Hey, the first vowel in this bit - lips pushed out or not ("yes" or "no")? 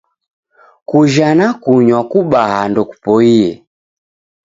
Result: yes